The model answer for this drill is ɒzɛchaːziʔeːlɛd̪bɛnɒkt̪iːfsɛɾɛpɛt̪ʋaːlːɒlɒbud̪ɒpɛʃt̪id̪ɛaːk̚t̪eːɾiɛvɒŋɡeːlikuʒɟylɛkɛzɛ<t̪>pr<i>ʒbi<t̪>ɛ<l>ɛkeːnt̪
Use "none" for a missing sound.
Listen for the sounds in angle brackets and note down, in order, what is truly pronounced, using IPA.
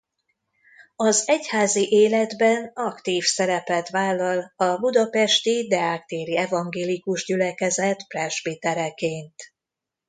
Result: t̪, ɛ, t̪, ɾ

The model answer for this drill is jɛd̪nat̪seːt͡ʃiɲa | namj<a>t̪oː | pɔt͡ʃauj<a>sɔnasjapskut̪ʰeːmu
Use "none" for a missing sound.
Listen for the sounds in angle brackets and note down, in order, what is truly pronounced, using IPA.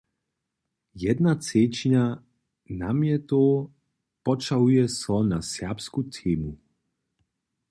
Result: ɛ, ɛ

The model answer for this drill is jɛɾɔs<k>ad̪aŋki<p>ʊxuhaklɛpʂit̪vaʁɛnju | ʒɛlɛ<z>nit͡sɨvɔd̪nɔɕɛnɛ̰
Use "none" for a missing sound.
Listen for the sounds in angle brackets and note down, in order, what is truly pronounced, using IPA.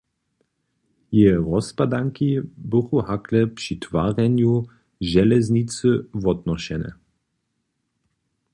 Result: p, b, z

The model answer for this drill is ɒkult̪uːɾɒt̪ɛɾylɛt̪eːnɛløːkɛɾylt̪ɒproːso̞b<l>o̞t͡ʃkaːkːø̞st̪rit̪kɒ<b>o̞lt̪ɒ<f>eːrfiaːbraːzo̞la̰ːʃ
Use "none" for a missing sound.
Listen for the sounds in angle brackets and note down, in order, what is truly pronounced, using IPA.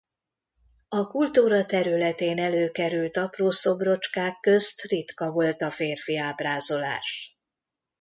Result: r, v, f

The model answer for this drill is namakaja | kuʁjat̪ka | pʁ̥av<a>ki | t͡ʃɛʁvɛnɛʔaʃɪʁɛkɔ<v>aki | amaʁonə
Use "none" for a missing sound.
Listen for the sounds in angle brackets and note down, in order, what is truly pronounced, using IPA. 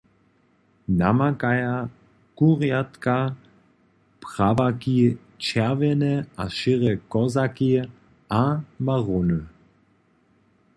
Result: a, z

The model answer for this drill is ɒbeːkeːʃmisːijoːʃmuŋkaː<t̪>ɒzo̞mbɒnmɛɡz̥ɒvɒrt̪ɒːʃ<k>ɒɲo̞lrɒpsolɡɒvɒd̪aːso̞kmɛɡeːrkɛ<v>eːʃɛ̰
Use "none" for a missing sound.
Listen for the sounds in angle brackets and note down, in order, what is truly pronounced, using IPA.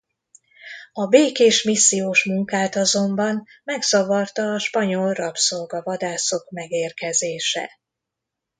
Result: t̪, p, z

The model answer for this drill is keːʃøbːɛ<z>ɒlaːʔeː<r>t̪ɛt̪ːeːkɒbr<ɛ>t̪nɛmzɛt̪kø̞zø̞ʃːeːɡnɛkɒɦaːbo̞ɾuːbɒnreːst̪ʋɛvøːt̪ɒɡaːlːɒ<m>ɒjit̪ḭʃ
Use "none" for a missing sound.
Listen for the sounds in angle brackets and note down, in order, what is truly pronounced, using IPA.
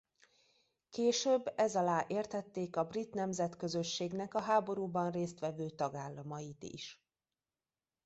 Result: z, r, i, m

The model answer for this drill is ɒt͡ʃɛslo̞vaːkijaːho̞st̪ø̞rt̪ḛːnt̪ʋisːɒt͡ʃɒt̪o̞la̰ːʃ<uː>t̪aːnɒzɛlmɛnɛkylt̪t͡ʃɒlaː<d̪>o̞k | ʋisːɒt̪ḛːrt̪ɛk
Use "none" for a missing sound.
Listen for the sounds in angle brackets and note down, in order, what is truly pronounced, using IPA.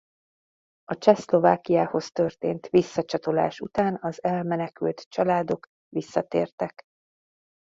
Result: u, d̪

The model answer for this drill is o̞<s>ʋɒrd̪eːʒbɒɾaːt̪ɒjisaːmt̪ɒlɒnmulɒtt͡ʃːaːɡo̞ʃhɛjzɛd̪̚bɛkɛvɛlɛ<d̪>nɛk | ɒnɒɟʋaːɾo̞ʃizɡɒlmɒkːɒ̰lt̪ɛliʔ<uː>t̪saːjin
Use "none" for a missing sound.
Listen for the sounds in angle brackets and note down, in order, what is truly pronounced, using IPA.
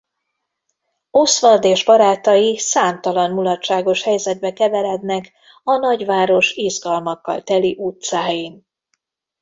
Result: s, d̪, u

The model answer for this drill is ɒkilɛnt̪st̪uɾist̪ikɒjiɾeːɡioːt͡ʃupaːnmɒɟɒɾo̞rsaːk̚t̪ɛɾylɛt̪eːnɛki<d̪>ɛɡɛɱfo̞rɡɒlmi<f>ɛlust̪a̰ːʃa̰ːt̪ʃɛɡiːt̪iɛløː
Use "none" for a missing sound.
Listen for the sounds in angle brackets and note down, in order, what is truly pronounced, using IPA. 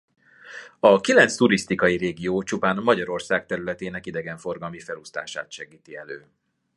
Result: d̪, f

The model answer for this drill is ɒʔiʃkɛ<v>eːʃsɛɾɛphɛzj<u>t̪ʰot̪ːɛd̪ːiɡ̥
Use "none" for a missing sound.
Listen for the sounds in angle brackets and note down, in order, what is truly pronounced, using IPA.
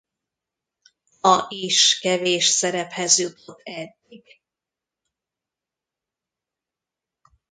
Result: v, u

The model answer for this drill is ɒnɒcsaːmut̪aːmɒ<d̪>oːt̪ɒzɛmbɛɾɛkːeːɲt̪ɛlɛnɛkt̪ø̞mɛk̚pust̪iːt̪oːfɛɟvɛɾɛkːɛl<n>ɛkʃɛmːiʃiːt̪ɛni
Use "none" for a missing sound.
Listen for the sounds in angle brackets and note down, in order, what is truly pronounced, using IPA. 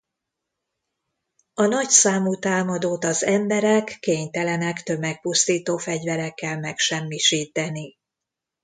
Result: d̪, m

